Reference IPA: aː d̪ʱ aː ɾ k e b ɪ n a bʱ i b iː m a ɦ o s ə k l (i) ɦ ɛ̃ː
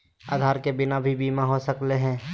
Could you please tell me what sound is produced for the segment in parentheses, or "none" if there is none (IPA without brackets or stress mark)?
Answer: e